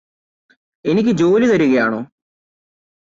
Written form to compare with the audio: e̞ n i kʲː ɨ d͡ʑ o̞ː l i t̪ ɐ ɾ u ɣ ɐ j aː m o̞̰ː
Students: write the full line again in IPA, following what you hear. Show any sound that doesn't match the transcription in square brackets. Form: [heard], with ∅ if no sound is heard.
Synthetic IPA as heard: e̞ n i kʲː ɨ d͡ʑ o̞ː l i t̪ ɐ ɾ u ɣ ɐ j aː [ɳ] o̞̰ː